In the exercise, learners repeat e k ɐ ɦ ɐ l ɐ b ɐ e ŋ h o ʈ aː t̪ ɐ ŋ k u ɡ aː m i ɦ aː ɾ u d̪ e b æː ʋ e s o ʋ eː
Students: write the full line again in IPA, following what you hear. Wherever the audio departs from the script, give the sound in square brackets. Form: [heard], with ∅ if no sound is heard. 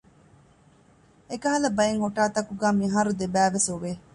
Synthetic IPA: e k ɐ ɦ ɐ l ɐ b ɐ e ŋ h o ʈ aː t̪ ɐ [∅] k u ɡ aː m i ɦ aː ɾ u d̪ e b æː ʋ e s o ʋ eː